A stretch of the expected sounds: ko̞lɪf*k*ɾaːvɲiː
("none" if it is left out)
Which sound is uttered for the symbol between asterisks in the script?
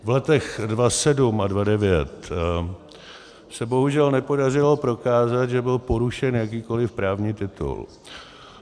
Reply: p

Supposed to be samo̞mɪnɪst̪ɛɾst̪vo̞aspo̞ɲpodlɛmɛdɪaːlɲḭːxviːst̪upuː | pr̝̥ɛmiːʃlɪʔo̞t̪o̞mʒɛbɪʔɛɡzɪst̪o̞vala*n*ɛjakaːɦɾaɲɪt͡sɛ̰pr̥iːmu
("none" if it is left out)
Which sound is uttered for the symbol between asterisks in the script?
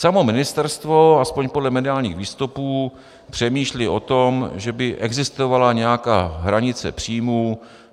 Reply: ɲ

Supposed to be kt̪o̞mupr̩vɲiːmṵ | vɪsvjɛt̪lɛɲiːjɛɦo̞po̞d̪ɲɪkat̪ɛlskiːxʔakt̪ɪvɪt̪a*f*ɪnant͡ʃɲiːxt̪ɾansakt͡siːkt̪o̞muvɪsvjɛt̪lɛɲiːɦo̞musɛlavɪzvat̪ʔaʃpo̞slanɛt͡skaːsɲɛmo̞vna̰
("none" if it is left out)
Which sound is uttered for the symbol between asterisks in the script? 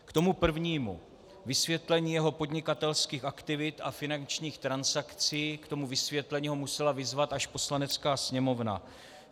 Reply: f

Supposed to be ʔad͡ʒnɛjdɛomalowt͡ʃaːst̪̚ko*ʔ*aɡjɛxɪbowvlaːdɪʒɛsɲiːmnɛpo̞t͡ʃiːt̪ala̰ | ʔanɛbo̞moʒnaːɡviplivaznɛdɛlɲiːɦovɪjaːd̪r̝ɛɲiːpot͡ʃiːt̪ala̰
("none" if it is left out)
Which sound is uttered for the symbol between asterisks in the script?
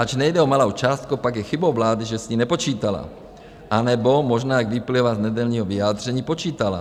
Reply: p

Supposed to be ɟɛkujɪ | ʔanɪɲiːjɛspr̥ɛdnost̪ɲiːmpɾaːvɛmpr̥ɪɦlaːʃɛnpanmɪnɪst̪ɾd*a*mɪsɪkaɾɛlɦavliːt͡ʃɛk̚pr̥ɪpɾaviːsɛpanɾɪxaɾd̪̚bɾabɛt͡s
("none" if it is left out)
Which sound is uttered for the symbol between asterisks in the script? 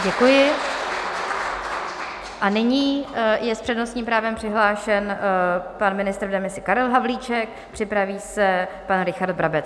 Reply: ɛ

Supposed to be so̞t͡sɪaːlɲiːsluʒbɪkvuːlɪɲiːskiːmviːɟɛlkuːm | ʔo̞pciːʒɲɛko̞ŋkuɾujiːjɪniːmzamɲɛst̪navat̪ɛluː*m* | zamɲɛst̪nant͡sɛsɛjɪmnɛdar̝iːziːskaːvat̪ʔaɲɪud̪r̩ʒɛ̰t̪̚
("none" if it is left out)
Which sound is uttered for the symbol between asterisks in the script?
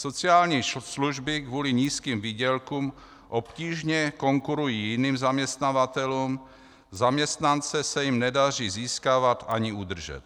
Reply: m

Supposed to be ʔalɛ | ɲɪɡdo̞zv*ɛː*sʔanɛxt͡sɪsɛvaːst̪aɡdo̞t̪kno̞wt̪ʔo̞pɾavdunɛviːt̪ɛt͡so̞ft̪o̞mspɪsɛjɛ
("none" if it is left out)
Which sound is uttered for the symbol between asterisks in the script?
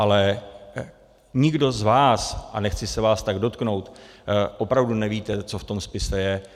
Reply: aː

